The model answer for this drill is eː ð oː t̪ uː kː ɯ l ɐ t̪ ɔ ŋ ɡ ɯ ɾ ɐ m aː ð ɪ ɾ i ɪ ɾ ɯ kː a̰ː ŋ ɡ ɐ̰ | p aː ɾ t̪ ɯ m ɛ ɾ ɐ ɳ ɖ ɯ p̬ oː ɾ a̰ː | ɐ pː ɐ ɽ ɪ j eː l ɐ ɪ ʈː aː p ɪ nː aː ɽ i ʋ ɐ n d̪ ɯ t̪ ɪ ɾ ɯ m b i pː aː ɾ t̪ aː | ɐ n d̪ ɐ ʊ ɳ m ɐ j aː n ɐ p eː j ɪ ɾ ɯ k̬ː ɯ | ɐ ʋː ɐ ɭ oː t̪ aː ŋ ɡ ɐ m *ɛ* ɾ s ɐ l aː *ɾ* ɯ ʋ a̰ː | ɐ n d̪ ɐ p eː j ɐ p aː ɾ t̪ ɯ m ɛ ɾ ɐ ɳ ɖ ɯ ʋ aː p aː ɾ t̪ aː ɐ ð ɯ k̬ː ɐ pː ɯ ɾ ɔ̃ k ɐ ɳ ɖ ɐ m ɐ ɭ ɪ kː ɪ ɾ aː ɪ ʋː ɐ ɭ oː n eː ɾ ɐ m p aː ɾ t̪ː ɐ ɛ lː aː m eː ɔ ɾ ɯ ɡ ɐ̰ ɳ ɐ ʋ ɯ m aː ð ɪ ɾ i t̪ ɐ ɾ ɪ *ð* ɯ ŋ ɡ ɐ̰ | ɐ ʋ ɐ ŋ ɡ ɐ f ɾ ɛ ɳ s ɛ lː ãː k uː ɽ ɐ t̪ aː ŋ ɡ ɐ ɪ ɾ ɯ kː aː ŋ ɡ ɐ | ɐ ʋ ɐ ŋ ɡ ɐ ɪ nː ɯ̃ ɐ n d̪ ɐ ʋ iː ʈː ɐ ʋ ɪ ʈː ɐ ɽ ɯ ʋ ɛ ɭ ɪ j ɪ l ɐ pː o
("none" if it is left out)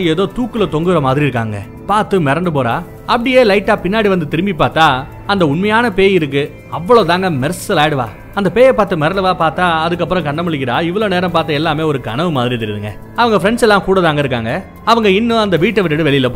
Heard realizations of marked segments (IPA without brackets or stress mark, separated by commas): ɛ, ɽ, ð